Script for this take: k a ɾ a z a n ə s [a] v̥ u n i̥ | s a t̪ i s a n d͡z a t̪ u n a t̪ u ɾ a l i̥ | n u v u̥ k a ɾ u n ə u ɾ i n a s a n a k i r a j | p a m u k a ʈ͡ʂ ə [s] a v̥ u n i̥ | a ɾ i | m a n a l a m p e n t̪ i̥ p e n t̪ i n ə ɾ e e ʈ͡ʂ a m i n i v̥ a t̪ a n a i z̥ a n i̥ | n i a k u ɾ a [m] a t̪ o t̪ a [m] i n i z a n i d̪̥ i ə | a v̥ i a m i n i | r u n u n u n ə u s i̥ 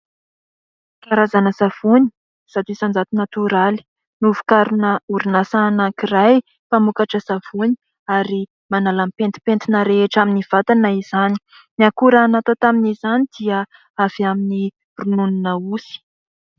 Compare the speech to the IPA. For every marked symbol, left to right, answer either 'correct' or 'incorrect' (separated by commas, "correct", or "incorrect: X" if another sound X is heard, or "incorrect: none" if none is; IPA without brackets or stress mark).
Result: correct, correct, incorrect: n, correct